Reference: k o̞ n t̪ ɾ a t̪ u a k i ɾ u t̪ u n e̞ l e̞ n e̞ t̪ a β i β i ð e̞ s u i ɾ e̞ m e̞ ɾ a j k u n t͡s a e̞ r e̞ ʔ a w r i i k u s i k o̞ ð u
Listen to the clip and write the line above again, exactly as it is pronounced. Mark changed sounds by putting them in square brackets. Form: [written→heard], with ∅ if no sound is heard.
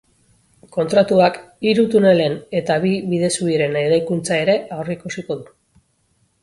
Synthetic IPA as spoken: k o̞ n t̪ ɾ a t̪ u a k i ɾ u t̪ u n e̞ l e̞ n e̞ t̪ a β i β i ð e̞ s u i ɾ e̞ [m→n] e̞ ɾ a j k u n t͡s a e̞ [r→ɾ] e̞ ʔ a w r i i k u s i k o̞ ð u